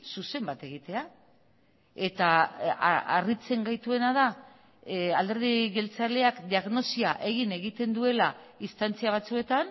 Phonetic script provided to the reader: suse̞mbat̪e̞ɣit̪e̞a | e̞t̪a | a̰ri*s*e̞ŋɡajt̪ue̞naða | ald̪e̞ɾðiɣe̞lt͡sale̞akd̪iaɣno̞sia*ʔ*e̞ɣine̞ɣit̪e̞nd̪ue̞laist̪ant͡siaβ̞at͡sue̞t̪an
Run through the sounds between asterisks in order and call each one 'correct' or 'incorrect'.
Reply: incorrect: t͡s, correct

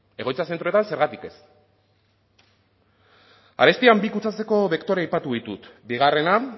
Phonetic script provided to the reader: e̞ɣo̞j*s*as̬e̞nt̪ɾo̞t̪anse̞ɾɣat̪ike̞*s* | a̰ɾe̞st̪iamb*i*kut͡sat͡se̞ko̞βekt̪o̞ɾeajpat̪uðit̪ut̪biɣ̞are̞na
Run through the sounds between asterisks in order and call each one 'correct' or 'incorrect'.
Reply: incorrect: t͡s, correct, correct

